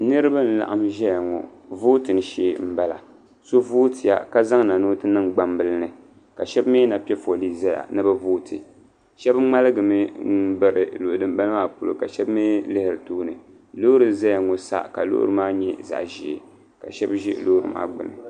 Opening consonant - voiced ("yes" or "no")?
yes